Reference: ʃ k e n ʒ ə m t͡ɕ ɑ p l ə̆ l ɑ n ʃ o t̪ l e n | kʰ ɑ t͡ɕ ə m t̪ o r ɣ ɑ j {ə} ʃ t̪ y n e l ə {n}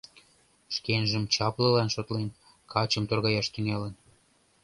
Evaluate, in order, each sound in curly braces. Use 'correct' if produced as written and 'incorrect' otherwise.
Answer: incorrect: ɑ, correct

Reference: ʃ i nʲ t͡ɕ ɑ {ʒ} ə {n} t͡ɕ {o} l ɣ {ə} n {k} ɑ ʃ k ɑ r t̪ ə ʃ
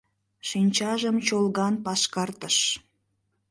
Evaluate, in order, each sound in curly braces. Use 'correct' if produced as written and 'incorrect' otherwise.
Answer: correct, incorrect: m, correct, incorrect: ɑ, incorrect: p

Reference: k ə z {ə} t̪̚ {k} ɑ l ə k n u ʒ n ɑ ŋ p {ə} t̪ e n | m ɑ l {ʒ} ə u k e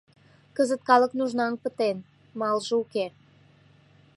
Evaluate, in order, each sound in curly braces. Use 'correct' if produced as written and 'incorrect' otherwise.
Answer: correct, correct, correct, correct

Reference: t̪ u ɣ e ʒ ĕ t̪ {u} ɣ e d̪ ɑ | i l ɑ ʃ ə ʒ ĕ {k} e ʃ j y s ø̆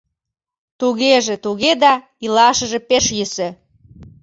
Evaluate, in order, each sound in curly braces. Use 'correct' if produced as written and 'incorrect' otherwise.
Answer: correct, incorrect: p

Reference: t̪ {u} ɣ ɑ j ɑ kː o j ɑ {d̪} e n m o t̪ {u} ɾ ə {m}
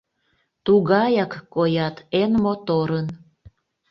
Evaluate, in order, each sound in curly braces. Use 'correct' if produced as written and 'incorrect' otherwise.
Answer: correct, incorrect: t̪, incorrect: o, incorrect: n

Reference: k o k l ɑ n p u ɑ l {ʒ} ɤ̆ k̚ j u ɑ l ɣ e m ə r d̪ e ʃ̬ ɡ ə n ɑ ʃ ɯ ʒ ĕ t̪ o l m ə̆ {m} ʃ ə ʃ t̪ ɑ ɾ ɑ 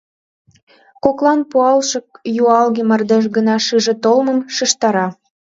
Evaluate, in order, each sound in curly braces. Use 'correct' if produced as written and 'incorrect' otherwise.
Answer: incorrect: ʃ, correct

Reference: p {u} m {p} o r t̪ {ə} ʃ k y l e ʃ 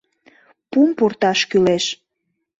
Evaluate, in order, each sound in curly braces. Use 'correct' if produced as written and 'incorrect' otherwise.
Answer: correct, correct, incorrect: ɑ

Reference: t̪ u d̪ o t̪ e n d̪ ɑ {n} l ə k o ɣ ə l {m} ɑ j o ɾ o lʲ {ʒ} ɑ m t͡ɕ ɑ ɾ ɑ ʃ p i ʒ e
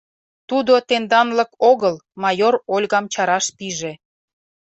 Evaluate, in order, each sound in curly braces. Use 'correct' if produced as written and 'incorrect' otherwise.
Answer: correct, correct, incorrect: ɣ

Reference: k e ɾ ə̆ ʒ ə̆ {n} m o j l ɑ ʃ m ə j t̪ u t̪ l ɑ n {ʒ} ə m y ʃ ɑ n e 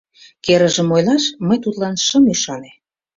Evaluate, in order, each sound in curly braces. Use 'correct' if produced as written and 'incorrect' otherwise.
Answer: incorrect: none, incorrect: ʃ

